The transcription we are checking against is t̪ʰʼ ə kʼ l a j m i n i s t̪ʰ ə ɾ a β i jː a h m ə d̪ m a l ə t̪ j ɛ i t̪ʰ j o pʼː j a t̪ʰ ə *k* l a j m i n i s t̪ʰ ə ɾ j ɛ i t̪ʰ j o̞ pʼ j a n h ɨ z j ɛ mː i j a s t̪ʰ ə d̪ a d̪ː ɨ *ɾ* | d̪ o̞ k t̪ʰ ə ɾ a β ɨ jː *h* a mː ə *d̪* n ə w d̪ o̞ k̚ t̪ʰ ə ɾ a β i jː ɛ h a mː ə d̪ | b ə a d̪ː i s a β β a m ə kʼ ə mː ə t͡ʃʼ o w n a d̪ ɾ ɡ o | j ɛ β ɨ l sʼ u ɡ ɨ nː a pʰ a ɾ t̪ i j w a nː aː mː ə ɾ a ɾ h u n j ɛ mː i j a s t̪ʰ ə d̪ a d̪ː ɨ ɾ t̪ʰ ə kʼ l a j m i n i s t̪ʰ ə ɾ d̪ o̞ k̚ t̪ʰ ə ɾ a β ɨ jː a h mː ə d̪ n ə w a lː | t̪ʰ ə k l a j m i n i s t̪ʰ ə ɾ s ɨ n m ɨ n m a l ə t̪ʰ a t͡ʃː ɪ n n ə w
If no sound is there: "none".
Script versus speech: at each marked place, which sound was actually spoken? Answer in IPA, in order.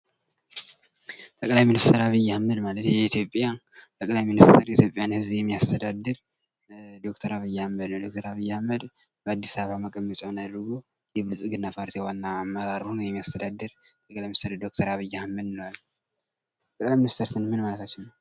kʼ, ɾ, h, d̪

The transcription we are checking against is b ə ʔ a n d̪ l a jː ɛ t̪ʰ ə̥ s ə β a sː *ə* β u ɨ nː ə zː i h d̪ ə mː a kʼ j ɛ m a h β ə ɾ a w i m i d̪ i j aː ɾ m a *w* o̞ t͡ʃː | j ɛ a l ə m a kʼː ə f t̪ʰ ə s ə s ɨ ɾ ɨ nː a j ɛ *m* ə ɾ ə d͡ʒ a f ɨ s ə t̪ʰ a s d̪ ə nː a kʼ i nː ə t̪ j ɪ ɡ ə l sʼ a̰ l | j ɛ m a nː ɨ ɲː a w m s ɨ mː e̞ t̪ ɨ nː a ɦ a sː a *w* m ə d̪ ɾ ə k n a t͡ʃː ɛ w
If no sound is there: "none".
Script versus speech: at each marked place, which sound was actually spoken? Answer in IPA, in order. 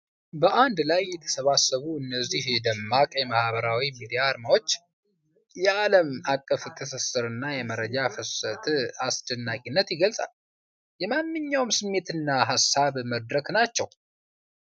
ə, w, m, β

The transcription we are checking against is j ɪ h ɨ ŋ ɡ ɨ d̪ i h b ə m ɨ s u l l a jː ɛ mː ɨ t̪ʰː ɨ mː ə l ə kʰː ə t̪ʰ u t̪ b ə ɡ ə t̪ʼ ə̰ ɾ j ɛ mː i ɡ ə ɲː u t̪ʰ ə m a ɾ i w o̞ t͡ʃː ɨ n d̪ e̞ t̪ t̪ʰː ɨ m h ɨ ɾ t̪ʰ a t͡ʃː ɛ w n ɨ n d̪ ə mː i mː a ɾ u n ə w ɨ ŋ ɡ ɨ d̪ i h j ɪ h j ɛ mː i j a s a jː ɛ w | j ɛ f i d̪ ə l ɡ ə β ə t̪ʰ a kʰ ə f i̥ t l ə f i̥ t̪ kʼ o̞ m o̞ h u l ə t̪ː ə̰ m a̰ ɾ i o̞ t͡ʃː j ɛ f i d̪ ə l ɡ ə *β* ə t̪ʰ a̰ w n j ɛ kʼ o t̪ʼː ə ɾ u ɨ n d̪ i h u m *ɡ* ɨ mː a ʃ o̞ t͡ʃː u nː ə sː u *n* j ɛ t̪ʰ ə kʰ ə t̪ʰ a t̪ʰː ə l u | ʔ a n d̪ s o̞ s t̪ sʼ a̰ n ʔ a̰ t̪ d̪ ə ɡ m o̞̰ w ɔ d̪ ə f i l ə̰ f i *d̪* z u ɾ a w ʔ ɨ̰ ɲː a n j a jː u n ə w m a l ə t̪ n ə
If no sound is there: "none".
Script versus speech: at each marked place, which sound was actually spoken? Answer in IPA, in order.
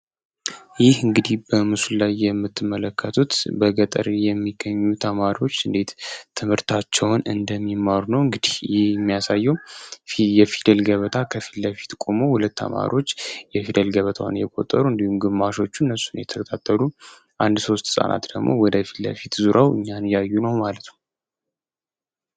β, ɡ, n, t̪

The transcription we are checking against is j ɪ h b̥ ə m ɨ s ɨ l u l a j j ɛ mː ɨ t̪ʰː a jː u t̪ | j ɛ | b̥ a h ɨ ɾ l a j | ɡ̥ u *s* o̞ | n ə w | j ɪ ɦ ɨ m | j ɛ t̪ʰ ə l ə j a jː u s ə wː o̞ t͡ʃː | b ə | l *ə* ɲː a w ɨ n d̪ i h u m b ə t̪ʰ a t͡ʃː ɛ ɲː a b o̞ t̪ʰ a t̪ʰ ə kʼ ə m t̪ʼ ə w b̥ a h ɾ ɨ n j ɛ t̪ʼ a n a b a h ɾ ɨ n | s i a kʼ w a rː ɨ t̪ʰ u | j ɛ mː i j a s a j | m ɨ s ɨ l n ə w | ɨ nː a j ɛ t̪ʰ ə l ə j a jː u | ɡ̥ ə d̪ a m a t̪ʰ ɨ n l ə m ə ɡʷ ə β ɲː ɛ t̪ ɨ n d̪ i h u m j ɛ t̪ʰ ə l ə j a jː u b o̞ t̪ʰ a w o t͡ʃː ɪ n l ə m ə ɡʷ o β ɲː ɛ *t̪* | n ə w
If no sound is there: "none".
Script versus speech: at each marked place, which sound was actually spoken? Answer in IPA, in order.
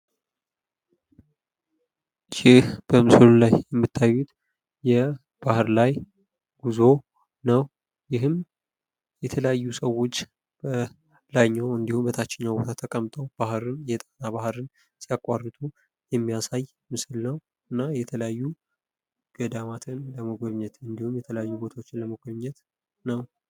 z, a, t̪

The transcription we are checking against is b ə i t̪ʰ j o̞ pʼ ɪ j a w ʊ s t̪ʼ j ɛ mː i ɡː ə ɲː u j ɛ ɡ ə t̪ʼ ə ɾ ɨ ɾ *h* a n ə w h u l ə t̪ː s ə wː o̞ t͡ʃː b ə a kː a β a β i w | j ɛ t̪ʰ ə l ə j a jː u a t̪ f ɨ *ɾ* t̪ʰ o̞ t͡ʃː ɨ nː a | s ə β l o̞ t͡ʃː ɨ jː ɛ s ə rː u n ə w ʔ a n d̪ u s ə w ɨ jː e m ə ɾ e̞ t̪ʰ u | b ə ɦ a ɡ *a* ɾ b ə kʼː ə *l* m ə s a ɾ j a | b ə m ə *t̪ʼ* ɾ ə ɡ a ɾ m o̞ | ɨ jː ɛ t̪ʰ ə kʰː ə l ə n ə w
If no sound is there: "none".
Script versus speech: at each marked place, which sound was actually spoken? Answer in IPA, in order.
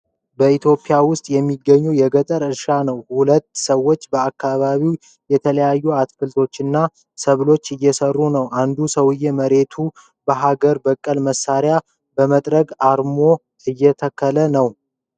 ʃ, l, ə, l, t̪ʼ

